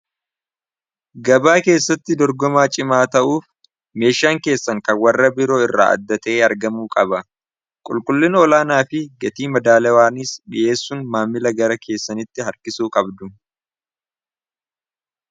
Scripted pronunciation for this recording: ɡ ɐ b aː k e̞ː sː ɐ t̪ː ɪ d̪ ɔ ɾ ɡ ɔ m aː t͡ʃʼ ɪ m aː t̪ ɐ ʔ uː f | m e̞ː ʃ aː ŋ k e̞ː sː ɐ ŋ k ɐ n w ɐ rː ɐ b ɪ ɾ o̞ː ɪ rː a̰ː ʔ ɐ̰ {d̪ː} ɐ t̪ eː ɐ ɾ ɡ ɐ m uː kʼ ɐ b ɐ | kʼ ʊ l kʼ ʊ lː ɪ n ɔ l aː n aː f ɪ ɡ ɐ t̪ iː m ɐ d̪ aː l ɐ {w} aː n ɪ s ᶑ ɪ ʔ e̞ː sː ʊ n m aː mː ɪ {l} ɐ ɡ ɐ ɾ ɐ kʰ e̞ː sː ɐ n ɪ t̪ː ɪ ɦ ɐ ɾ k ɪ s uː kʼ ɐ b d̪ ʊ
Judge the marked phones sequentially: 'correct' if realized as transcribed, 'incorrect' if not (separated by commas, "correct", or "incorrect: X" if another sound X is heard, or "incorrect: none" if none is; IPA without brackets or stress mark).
correct, correct, correct